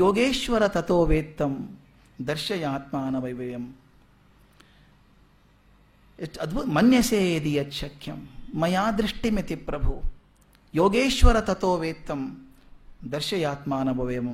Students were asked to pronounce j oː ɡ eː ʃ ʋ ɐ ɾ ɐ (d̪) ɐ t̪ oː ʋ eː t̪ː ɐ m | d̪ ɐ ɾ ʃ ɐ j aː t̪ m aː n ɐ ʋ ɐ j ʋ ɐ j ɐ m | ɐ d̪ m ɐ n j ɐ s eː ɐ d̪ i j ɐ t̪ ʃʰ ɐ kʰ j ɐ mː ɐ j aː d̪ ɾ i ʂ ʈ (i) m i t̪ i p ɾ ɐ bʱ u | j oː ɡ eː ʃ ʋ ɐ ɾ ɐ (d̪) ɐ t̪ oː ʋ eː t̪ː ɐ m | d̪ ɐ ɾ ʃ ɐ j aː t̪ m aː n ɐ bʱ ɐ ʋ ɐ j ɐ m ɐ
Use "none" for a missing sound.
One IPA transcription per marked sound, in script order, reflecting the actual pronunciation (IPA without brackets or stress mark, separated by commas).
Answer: t̪, i, t̪